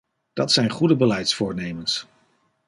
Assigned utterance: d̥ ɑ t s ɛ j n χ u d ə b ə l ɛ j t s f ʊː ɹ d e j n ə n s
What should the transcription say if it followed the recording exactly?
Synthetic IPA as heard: d̥ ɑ t s ɛ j n χ u d ə b ə l ɛ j t s f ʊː ɹ n e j m ə n s